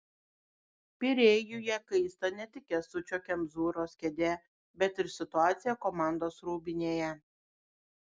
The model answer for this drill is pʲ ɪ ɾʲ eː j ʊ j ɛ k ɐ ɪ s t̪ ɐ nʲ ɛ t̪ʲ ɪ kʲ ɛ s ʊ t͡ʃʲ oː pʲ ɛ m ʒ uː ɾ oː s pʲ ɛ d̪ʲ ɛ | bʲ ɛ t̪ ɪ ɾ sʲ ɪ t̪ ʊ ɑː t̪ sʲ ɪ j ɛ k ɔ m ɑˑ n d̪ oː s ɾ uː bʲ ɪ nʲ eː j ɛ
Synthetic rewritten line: pʲ ɪ ɾʲ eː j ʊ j ɛ k ɐ ɪ s t̪ ɐ nʲ ɛ t̪ʲ ɪ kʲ ɛ s ʊ t͡ʃʲ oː kʲ ɛ m z uː ɾ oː s kʲ ɛ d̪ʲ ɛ | bʲ ɛ t̪ ɪ ɾ sʲ ɪ t̪ ʊ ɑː t̪ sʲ ɪ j ɛ k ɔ m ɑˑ n d̪ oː s ɾ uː bʲ ɪ nʲ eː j ɛ